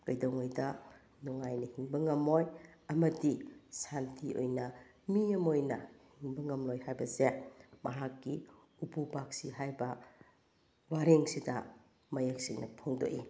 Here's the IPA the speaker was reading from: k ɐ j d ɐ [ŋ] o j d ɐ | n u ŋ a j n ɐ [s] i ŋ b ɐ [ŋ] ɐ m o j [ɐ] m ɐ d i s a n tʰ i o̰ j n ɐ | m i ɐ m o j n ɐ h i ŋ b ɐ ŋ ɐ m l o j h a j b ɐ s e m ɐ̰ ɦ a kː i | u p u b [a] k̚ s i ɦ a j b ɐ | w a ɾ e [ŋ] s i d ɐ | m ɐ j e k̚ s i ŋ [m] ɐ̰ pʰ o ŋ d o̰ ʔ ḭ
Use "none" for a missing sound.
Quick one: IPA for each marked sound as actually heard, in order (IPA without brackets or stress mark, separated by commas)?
ŋ, h, ŋ, ɐ, a, ŋ, n